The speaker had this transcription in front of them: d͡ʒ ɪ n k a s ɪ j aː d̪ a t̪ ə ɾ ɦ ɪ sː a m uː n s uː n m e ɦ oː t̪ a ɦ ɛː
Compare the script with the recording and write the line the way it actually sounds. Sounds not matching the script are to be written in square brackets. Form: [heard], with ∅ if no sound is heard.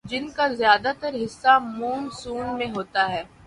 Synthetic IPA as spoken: d͡ʒ ɪ n k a [z] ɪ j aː d̪ a t̪ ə ɾ ɦ ɪ sː a m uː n s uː n m [ẽ] ɦ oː t̪ a ɦ ɛː